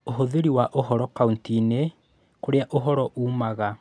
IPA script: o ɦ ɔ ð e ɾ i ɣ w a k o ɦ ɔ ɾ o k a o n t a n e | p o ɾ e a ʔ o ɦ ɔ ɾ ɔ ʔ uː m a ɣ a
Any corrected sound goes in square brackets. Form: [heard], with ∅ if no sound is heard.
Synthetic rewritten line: o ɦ [o] ð e ɾ i [∅] w a [ʔ] o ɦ ɔ ɾ [ɔ] k a [u] n t [i] n e | [k] o ɾ e a ʔ o ɦ ɔ ɾ ɔ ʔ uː m a ɣ a